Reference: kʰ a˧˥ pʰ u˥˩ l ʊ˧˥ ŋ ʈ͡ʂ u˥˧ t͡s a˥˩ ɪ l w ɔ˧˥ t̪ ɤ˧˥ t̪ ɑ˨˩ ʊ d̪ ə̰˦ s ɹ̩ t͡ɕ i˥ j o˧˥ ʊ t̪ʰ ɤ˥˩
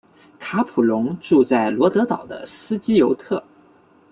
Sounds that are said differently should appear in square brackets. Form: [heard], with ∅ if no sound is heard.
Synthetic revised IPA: kʰ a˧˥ pʰ [u˨˩] l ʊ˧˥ ŋ ʈ͡ʂ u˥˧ t͡s a˥˩ ɪ l w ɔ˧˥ t̪ ɤ˧˥ t̪ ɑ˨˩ ʊ d̪ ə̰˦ s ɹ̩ t͡ɕ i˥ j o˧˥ ʊ t̪ʰ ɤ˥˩